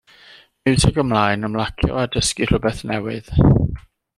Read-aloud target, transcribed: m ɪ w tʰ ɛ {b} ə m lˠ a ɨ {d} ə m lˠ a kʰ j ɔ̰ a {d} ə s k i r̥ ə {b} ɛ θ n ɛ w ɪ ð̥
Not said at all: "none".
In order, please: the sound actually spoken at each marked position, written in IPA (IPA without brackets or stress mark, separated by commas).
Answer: ɡ, n, d, b